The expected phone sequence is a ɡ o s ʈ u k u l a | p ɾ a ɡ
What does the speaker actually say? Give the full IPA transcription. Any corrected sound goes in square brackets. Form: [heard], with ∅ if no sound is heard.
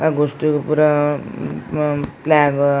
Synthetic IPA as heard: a ɡ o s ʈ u [p] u [ɾ] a | p [l] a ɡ